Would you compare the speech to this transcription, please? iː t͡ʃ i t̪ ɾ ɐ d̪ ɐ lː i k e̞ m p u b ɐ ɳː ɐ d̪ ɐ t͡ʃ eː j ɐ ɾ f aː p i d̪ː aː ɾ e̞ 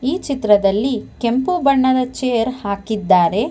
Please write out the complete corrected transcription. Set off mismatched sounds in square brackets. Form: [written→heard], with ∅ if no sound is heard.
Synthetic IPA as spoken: iː t͡ʃ i t̪ ɾ ɐ d̪ ɐ lː i k e̞ m p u b ɐ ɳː ɐ d̪ ɐ t͡ʃ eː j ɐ ɾ [f→h] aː [p→k] i d̪ː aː ɾ e̞